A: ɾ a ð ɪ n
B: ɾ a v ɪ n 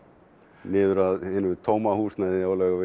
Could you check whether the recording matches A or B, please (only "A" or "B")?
A